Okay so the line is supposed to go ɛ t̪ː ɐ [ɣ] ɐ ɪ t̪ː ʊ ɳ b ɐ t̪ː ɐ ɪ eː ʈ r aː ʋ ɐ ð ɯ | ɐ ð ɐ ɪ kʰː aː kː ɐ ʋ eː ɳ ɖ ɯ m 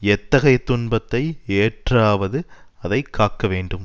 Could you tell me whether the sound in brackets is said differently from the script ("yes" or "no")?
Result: no